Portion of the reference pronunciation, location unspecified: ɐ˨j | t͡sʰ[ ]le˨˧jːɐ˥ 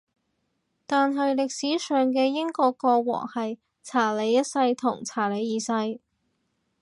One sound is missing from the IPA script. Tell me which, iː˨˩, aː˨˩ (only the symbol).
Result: aː˨˩